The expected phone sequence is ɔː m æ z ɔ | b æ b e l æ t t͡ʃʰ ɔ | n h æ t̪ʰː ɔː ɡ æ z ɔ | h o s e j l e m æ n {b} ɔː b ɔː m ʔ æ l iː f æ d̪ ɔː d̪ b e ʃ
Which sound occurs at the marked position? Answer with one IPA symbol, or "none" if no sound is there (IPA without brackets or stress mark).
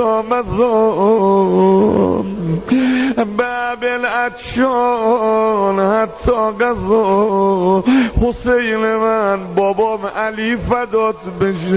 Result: b